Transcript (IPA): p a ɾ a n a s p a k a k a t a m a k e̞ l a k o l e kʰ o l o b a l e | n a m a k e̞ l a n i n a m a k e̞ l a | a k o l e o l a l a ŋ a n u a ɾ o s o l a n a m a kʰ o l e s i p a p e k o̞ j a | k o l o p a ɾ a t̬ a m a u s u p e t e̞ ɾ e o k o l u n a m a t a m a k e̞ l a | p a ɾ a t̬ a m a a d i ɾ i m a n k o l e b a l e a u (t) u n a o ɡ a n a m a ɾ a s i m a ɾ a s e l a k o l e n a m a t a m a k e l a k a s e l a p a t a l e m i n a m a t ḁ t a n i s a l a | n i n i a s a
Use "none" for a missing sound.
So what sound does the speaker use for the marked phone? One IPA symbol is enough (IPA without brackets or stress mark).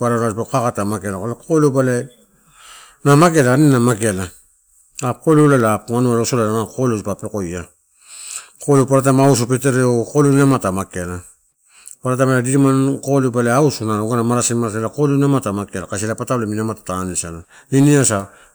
s